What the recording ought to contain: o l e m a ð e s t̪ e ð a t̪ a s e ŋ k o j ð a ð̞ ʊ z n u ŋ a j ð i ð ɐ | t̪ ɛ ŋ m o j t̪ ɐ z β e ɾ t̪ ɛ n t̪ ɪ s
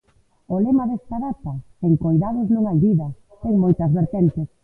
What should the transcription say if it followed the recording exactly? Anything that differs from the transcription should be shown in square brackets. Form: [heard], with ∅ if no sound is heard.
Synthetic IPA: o l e m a ð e s t̪ [a] ð a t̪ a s e ŋ k o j ð a ð̞ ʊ z n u ŋ a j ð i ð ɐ | t̪ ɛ ŋ m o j t̪ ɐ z β e ɾ t̪ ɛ n t̪ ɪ s